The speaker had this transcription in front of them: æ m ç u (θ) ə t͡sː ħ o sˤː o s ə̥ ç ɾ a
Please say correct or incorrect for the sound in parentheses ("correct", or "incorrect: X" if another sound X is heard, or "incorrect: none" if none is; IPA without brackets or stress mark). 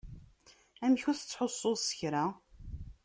correct